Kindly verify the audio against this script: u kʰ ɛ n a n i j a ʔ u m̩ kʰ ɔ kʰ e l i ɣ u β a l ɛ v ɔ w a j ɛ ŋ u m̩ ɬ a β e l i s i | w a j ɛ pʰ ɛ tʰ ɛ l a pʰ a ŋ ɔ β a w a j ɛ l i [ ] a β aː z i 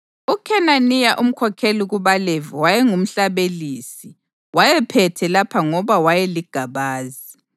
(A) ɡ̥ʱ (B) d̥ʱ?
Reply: A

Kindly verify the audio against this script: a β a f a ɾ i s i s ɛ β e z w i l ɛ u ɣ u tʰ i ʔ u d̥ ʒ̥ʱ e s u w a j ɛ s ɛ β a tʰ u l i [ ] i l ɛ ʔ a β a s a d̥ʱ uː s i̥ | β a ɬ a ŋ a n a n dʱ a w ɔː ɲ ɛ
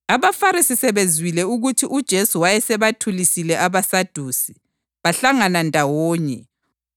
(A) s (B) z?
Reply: A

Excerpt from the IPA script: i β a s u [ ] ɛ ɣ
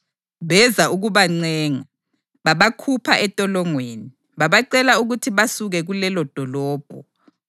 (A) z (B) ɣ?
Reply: B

